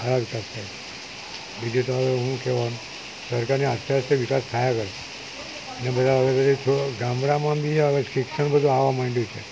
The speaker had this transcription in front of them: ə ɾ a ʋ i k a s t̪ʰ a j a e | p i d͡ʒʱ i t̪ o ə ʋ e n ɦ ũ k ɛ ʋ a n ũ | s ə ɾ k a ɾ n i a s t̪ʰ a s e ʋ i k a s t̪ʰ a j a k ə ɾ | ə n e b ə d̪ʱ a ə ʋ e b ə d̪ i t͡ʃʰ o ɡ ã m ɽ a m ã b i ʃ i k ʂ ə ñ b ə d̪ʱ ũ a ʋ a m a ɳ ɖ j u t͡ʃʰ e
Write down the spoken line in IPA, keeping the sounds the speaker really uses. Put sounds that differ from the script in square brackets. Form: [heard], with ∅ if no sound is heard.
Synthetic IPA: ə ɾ a ʋ i k a s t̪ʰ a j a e | [b] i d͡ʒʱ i t̪ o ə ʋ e [∅] ɦ ũ k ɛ ʋ a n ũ | s ə ɾ k a ɾ n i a s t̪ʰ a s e ʋ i k a s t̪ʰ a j a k ə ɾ | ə n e b ə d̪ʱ a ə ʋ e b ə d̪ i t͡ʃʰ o ɡ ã m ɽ a m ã b i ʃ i k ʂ ə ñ b ə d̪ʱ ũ a ʋ a m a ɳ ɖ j u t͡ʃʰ e